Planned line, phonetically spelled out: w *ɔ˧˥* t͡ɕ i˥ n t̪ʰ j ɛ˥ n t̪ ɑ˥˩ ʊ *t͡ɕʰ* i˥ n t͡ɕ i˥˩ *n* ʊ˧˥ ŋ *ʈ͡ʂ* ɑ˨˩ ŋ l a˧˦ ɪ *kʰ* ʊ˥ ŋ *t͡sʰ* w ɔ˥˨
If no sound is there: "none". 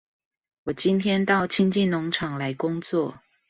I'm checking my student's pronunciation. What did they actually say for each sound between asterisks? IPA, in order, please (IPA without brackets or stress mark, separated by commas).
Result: ɔ˨˩, t͡ɕʰ, n, ʈ͡ʂʰ, k, t͡s